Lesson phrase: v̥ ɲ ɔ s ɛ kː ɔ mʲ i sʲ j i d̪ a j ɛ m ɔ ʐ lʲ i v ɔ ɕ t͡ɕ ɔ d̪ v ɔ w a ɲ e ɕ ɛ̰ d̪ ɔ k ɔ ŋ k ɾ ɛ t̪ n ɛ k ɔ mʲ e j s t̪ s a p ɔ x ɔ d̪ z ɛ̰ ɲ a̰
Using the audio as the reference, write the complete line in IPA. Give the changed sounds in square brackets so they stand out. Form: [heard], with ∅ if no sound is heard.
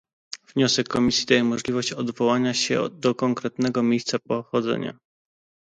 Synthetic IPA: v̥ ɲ ɔ s ɛ kː ɔ mʲ i sʲ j i d̪ a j ɛ m ɔ ʐ lʲ i v ɔ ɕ t͡ɕ ɔ d̪ v ɔ w a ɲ [a] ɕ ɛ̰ d̪ ɔ k ɔ ŋ k ɾ ɛ t̪ n ɛ [ɡ] ɔ mʲ e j s t̪ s a p ɔ x ɔ d̪ z ɛ̰ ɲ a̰